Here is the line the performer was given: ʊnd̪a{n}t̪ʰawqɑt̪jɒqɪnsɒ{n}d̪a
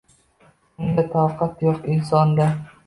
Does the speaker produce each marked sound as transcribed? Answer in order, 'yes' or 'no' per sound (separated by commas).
no, yes